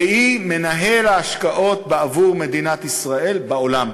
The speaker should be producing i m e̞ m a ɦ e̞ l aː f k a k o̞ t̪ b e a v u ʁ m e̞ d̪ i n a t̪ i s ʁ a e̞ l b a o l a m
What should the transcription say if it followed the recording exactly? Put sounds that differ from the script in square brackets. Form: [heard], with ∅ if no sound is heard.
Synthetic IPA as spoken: i m e̞ [n] a ɦ e̞ l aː [ʃ] k a [ʔ] o̞ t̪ b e a v u ʁ m e̞ d̪ i n a t̪ i s ʁ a e̞ l b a o l a m